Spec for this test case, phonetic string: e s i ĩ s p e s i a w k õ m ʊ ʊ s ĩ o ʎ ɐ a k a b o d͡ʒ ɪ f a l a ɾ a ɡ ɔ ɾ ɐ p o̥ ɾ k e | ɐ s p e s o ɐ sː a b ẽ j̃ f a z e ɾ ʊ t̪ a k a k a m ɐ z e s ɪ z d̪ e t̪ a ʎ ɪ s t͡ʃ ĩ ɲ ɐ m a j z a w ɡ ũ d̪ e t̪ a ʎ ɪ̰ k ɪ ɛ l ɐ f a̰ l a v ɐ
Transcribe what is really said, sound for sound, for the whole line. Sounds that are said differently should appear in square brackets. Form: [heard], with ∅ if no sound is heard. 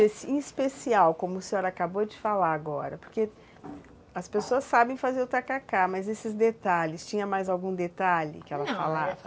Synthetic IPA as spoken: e s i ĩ s p e s i a w k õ m ʊ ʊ s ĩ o [ɾ] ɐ a k a b o d͡ʒ ɪ f a l a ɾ a ɡ ɔ ɾ ɐ p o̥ ɾ k e | ɐ s p e s o ɐ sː a b ẽ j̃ f a z e ɾ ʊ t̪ a k a k a m ɐ z e s ɪ z d̪ e t̪ a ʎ ɪ s t͡ʃ ĩ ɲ ɐ m a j z a w ɡ ũ d̪ e t̪ a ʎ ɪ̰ k ɪ ɛ l ɐ f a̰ l a v ɐ